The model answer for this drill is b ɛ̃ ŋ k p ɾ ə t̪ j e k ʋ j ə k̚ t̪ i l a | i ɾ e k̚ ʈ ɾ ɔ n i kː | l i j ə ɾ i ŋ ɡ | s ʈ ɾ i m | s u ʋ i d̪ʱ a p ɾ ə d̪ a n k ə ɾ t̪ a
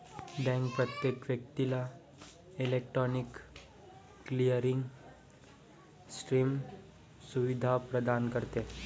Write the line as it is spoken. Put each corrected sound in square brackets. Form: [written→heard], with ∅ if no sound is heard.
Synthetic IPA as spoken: b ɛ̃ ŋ k p ɾ ə t̪ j e k ʋ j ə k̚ t̪ i l a | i [ɾ→l] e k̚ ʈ ɾ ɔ n i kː | l i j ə ɾ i ŋ ɡ | s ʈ ɾ i m | s u ʋ i d̪ʱ a p ɾ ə d̪ a n k ə ɾ t̪ [a→e]